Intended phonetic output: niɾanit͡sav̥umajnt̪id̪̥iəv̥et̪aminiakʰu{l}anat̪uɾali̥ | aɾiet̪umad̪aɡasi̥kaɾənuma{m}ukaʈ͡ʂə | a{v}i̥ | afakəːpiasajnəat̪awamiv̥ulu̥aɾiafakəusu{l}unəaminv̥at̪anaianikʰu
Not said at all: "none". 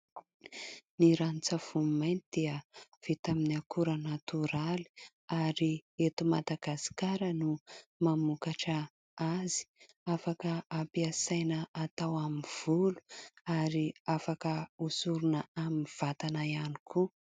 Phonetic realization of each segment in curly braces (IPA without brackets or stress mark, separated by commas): ɾ, m, z, ɾ